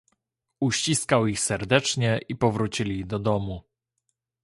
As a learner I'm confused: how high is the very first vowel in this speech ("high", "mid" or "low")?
high